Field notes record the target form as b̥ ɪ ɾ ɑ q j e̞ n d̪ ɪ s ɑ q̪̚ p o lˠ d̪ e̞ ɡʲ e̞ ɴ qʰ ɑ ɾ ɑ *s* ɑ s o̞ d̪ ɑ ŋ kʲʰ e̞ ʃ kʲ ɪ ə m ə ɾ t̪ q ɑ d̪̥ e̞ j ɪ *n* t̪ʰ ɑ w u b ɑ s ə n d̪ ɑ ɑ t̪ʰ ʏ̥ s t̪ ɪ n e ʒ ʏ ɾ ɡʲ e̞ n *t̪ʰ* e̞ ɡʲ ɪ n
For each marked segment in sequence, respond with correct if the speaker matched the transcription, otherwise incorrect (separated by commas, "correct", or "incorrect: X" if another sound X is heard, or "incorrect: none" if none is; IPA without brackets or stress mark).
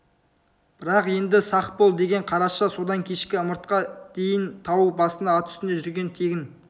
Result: incorrect: ʃ, correct, correct